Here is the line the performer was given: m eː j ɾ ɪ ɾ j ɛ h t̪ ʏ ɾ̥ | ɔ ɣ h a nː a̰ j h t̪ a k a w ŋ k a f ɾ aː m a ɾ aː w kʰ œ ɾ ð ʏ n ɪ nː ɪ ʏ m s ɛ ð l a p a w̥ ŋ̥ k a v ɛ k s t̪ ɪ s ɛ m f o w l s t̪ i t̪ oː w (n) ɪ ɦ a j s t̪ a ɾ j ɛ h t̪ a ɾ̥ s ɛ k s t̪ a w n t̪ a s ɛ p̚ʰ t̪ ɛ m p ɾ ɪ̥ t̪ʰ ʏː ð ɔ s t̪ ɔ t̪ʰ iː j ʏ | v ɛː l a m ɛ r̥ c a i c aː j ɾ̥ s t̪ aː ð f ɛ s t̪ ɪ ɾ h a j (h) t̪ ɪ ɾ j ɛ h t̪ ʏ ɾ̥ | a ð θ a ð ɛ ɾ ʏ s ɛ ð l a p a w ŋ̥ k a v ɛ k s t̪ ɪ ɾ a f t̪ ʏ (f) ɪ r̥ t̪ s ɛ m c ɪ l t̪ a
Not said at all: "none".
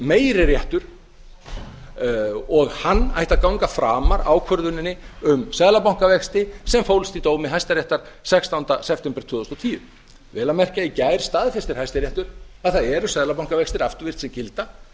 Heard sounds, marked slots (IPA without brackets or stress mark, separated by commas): m, s, v